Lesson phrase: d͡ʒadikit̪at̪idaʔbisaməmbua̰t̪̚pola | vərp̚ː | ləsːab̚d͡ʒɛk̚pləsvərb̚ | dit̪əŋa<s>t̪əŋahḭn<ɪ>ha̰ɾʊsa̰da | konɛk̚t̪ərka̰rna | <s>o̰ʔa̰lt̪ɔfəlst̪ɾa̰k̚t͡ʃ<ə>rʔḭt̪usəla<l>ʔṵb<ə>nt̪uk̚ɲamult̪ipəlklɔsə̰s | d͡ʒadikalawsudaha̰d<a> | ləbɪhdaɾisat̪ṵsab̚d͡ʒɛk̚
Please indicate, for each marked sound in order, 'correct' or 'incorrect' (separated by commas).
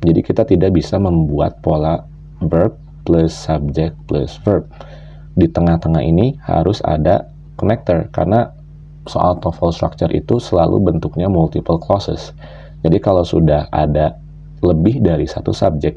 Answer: incorrect, incorrect, correct, correct, correct, correct, correct